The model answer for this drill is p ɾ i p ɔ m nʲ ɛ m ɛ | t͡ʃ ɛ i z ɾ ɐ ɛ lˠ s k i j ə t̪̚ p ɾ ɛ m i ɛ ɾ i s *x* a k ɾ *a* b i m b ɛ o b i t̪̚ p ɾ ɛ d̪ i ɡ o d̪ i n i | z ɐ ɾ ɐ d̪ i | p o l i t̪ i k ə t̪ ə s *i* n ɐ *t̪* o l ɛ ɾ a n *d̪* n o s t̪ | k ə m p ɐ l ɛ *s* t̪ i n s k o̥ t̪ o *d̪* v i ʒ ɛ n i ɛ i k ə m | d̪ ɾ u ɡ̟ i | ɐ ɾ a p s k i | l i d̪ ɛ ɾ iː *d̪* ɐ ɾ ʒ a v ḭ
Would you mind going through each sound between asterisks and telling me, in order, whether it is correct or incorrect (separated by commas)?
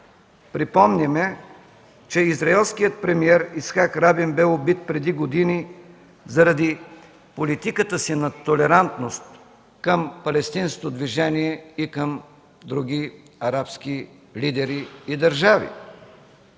correct, correct, correct, correct, incorrect, correct, correct, correct